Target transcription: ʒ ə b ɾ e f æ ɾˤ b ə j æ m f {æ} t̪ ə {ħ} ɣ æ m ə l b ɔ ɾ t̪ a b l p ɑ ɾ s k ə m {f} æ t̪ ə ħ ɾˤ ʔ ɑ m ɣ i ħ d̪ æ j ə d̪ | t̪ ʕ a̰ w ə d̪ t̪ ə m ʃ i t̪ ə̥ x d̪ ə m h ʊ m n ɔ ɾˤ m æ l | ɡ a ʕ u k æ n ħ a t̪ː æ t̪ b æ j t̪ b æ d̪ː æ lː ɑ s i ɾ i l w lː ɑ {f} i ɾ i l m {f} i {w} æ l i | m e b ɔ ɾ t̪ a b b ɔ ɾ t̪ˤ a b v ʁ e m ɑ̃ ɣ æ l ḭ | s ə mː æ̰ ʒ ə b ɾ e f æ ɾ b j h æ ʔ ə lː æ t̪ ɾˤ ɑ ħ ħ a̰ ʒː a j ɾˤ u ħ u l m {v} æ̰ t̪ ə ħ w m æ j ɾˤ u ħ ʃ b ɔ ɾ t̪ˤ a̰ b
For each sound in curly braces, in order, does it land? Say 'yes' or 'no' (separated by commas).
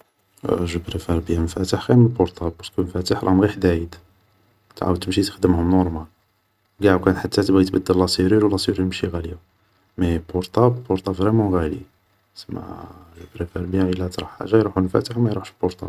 yes, yes, yes, no, no, no, no